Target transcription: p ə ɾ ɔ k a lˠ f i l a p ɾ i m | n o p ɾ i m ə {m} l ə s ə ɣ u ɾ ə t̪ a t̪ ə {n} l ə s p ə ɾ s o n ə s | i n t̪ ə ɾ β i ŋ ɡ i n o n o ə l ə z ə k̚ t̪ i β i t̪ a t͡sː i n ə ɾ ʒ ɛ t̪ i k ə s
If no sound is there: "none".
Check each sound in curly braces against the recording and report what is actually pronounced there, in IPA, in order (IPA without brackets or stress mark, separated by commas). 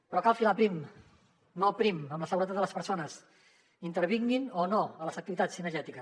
m, none